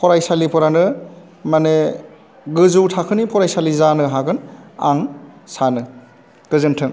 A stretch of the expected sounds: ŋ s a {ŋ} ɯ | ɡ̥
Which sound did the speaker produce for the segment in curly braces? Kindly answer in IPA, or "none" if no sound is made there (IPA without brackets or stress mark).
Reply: n